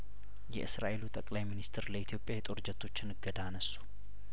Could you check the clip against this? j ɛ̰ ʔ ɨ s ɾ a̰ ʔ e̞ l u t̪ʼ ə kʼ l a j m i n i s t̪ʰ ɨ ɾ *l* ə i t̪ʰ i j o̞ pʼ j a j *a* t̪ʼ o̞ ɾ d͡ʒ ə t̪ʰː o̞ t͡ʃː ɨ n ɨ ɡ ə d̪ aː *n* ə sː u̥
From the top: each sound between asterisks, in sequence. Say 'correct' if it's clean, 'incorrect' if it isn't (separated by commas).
correct, incorrect, correct